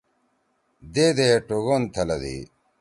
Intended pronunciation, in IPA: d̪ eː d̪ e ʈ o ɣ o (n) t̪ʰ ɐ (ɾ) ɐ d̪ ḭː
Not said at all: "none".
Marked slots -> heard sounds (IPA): n, l

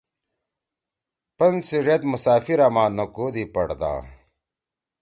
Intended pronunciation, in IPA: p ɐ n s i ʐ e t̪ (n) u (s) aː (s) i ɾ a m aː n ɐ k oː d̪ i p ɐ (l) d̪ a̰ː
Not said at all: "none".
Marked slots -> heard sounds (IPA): m, s, f, ɽ

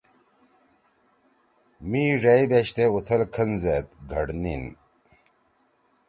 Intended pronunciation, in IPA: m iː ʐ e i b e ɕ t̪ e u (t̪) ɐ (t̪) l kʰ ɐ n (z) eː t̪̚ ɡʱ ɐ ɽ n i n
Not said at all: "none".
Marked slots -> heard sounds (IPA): t̪ʰ, none, z

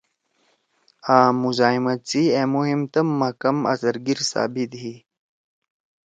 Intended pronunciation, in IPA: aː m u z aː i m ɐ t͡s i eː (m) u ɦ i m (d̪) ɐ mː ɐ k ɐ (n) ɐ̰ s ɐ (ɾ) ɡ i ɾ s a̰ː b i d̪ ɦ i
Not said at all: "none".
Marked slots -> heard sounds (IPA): m, t̪, m, ɾ

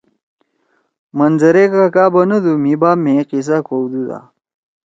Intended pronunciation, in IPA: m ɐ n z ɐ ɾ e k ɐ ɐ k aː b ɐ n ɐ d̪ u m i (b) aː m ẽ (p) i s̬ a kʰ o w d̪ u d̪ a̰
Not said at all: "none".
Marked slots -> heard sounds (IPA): b, q

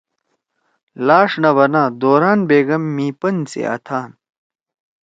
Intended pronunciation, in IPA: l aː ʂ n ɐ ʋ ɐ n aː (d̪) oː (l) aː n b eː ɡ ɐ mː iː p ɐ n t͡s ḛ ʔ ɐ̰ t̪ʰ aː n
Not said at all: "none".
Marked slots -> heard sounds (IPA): d̪, ɾ

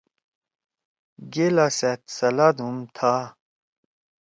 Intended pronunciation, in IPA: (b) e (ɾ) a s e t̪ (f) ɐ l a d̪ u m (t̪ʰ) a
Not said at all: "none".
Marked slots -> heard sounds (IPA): ɡ, l, s, t̪ʰ

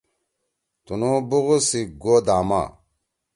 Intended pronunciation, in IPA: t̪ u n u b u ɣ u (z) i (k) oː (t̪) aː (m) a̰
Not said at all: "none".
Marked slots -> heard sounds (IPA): s, ɡ, d̪, m

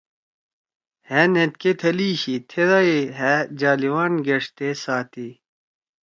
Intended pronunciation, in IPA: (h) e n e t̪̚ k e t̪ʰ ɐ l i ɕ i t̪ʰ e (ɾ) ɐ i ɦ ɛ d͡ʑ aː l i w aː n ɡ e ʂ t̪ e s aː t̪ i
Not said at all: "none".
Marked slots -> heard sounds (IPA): h, ɾ

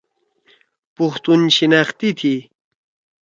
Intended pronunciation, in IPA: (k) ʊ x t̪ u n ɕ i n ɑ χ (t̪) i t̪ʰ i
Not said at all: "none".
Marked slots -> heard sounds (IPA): p, t̪

